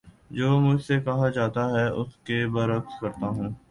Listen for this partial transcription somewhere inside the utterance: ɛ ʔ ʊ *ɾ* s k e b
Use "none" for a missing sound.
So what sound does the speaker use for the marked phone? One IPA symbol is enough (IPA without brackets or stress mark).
none